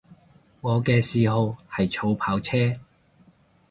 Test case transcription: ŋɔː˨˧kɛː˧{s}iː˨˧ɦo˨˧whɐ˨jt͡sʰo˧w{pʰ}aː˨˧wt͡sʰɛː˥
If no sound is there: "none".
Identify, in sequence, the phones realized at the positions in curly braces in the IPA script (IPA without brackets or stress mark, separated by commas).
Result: s, pʰ